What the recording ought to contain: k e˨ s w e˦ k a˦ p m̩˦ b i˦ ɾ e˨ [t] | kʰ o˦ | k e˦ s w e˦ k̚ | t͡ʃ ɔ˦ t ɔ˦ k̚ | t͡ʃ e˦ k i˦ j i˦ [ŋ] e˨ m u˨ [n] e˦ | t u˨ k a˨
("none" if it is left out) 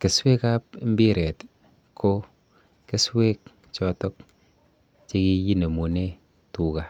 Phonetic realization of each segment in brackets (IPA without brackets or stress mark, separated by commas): t, n, n